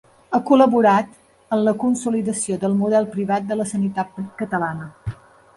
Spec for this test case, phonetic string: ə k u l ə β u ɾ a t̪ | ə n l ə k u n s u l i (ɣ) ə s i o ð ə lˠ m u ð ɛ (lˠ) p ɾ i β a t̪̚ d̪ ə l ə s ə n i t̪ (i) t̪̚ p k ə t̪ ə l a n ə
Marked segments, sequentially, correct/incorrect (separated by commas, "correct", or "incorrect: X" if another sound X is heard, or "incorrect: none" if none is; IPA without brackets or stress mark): incorrect: ð, correct, incorrect: a